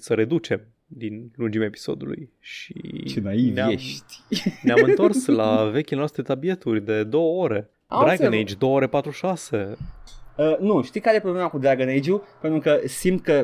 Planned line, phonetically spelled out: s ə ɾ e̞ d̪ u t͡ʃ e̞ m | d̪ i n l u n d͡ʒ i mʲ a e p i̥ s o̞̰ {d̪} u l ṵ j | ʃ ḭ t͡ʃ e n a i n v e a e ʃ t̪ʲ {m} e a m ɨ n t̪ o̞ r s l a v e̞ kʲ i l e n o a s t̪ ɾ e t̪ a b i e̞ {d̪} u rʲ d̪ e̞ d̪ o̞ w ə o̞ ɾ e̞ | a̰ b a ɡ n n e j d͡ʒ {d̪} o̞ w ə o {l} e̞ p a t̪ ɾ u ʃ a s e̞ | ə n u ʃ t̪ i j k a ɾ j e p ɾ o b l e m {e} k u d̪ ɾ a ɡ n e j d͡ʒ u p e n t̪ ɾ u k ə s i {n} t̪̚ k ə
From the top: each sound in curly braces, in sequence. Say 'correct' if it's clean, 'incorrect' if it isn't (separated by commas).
correct, incorrect, incorrect, correct, incorrect, incorrect, incorrect